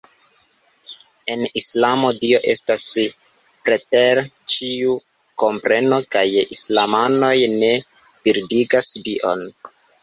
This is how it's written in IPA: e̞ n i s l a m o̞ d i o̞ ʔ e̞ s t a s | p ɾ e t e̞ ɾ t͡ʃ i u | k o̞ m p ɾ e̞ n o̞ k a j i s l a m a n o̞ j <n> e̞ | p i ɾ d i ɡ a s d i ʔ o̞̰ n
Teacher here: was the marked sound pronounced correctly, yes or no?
yes